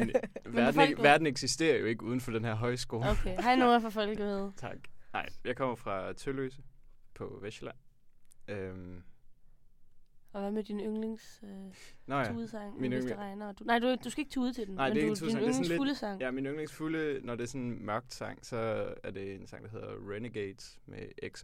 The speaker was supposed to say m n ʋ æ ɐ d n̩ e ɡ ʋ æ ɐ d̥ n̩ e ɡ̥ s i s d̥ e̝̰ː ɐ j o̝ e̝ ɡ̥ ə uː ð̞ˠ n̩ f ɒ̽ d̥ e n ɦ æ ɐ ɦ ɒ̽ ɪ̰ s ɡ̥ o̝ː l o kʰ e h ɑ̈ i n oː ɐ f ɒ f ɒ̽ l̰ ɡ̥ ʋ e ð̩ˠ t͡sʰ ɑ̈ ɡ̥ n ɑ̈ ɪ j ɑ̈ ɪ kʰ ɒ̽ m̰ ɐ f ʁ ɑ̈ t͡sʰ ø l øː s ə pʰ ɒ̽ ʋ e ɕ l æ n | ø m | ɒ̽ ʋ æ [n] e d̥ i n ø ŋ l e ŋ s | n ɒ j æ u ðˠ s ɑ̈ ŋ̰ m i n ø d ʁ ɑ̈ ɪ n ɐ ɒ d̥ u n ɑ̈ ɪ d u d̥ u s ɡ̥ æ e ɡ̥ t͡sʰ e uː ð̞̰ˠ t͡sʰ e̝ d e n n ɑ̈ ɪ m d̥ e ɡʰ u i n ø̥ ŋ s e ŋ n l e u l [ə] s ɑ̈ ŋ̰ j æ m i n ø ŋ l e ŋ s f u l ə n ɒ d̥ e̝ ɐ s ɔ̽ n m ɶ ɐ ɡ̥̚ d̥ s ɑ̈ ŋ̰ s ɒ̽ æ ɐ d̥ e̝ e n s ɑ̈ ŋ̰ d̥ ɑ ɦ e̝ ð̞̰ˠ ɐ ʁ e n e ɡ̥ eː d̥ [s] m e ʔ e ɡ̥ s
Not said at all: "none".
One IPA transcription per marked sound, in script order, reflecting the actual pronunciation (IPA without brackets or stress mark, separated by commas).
m, ə, s